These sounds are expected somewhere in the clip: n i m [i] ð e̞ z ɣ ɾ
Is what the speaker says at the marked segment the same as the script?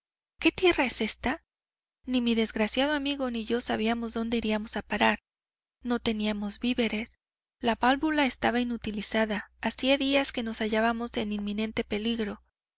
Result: yes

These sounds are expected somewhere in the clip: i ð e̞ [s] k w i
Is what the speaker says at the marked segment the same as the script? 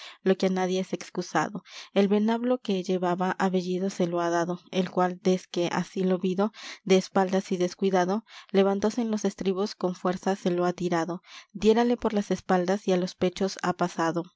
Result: yes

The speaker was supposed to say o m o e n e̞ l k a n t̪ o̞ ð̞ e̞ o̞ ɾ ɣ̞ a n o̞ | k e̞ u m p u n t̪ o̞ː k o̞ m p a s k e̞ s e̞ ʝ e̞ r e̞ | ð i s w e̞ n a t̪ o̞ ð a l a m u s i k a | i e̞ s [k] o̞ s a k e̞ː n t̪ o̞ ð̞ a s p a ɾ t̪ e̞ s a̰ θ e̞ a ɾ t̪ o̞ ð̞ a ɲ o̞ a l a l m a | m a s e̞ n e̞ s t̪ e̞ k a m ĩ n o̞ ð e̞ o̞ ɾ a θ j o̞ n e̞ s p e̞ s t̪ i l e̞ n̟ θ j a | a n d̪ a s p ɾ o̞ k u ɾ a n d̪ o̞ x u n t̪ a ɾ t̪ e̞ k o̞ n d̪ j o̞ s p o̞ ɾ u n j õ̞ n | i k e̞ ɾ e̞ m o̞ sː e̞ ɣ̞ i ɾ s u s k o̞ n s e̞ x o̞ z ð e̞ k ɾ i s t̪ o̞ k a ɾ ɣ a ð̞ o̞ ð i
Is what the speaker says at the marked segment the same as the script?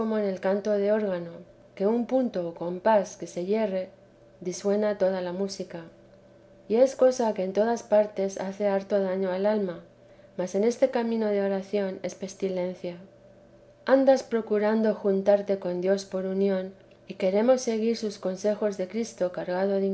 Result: yes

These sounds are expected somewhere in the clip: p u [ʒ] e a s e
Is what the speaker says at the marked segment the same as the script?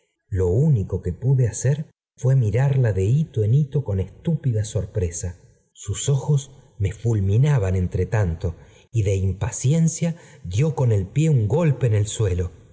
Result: no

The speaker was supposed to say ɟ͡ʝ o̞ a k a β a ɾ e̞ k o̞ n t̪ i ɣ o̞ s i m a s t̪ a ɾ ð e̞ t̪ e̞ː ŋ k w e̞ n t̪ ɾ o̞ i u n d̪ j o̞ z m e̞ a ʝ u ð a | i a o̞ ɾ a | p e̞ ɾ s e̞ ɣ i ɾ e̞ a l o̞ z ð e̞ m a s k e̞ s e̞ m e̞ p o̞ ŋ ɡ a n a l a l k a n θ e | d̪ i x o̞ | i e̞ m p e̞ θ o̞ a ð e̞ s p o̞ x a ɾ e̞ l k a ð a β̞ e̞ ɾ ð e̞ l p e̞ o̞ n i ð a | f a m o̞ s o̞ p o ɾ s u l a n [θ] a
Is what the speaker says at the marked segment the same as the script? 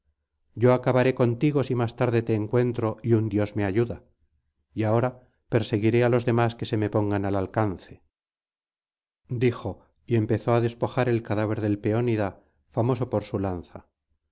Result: yes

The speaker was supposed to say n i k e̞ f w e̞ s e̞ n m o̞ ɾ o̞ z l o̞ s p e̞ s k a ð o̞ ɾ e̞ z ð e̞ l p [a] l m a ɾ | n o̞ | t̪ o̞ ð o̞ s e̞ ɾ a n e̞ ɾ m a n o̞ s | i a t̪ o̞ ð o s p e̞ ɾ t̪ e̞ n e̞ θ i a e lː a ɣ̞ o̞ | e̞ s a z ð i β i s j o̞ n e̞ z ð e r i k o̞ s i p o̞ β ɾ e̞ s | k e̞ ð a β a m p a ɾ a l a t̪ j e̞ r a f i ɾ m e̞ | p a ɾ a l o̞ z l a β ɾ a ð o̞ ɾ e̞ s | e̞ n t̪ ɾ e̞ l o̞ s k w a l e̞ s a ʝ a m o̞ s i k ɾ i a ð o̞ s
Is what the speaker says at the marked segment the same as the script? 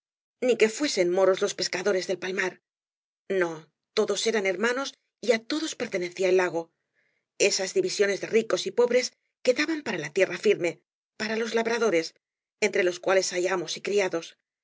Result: yes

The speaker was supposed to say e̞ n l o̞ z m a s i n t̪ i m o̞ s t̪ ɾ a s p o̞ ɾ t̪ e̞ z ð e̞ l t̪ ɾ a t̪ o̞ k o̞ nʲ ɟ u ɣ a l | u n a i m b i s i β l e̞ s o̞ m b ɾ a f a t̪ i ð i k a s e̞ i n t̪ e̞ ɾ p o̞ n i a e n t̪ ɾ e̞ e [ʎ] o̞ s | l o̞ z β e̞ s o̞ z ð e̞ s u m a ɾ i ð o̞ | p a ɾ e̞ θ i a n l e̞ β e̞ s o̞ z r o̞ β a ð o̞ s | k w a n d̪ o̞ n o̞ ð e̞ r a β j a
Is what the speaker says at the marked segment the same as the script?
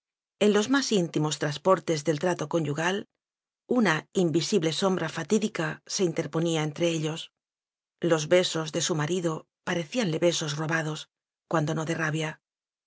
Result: yes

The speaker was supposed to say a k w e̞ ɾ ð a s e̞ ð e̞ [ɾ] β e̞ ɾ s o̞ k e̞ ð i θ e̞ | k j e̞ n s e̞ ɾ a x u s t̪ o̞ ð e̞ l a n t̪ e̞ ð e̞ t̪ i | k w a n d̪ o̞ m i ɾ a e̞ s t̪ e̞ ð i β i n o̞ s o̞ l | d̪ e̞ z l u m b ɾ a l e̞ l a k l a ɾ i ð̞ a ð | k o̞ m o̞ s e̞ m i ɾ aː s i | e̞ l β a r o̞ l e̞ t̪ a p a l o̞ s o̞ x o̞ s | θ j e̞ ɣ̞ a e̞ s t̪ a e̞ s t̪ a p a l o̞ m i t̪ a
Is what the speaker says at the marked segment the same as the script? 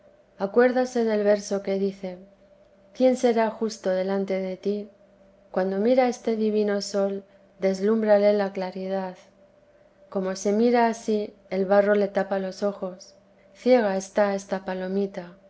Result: no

